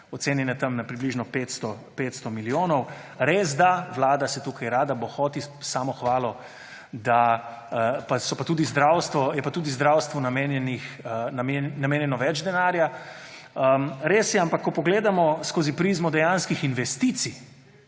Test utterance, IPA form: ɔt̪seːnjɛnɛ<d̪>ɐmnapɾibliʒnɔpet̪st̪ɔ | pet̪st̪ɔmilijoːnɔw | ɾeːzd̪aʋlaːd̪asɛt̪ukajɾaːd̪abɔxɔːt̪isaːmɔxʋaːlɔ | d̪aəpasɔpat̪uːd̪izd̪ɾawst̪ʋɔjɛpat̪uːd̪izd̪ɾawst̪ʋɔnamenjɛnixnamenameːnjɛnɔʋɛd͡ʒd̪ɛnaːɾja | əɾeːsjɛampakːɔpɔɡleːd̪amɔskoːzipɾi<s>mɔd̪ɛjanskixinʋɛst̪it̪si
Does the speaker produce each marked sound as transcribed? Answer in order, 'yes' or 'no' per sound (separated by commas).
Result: no, no